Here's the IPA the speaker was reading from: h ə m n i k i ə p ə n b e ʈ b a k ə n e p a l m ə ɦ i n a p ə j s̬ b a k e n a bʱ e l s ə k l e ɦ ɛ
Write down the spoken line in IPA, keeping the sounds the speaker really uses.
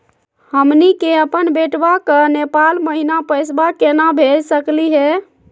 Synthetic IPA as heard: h ə m n i k e ə p ə n b e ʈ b a k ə n e p a l m ə ɦ i n a p ə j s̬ b a k e n a bʱ e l s ə k l i ɦ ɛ